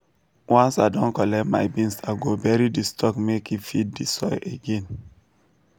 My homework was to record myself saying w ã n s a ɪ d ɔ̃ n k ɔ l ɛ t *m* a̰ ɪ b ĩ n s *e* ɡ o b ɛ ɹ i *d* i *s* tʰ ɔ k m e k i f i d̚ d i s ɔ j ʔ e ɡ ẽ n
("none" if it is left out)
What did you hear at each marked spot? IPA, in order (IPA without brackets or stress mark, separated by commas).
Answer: m, a, d, s